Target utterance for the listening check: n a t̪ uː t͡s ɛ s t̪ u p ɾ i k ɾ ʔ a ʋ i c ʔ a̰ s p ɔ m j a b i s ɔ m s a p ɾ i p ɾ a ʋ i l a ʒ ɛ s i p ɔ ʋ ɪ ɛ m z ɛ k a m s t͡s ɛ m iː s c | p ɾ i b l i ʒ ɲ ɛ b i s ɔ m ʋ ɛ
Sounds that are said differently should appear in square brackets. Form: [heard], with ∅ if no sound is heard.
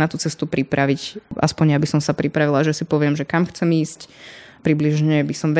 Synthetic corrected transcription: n a t̪ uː t͡s ɛ s t̪ u p ɾ i [p] ɾ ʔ a ʋ i c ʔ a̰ s p ɔ [ɲ] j a b i s ɔ m s a p ɾ i p ɾ a ʋ i l a ʒ ɛ s i p ɔ ʋ ɪ ɛ m [ʒ] ɛ k a m [x] t͡s ɛ m iː s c | p ɾ i b l i ʒ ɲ ɛ b i s ɔ m ʋ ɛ